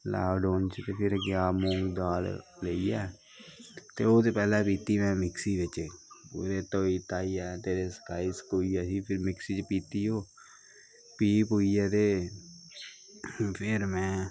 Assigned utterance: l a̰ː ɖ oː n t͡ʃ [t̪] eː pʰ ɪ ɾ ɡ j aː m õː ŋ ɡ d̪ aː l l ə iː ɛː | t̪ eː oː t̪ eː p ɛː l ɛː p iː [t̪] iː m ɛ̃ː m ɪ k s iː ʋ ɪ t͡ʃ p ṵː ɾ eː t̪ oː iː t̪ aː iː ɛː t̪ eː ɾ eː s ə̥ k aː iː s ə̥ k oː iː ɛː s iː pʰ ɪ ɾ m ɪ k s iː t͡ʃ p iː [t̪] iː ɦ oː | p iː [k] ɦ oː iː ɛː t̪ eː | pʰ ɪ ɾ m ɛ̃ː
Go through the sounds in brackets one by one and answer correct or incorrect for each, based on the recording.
correct, correct, correct, incorrect

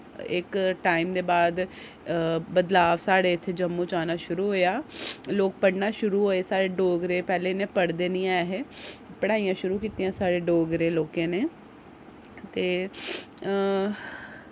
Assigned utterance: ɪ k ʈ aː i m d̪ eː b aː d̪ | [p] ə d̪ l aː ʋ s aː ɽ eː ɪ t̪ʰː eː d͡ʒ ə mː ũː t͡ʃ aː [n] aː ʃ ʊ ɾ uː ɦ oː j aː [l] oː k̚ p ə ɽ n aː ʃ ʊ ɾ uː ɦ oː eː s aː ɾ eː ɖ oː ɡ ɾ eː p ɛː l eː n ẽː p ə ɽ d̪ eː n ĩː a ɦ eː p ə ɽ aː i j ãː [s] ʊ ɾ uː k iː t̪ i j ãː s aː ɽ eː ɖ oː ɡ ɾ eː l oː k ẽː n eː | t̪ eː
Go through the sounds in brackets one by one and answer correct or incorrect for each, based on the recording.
incorrect, correct, correct, incorrect

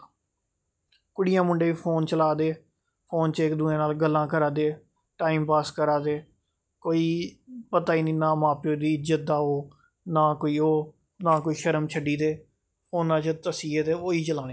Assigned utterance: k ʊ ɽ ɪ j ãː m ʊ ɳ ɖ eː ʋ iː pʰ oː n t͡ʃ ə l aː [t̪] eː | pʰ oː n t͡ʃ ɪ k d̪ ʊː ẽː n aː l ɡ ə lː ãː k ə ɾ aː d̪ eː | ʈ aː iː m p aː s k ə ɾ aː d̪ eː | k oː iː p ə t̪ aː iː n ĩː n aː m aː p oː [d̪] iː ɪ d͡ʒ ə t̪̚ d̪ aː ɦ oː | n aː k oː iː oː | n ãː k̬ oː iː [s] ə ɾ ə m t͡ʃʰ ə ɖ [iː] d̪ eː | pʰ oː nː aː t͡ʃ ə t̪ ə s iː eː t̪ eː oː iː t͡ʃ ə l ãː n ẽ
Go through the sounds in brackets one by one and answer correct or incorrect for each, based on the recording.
incorrect, correct, incorrect, correct

